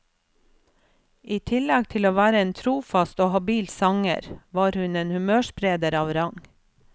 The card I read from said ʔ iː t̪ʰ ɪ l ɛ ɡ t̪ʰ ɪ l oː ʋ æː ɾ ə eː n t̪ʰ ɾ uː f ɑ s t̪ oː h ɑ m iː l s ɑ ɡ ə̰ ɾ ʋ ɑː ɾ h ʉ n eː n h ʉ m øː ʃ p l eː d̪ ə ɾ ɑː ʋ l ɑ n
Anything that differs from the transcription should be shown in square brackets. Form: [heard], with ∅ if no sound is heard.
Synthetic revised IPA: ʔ iː t̪ʰ ɪ l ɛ ɡ t̪ʰ ɪ l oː ʋ æː ɾ ə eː n t̪ʰ ɾ uː f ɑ s t̪ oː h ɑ [b] iː l s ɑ [ŋ] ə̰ ɾ ʋ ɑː ɾ h ʉ n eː n h ʉ m øː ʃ p [ɾ] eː d̪ ə ɾ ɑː ʋ [ɾ] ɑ [ŋ]